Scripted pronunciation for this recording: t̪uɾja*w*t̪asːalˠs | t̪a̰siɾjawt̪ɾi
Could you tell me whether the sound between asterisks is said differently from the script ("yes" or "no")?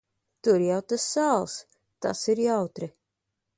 no